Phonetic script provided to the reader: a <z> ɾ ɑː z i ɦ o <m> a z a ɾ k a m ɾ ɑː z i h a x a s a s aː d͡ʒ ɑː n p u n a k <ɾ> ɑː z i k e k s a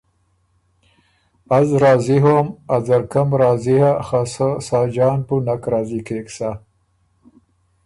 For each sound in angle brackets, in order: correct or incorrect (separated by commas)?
correct, correct, correct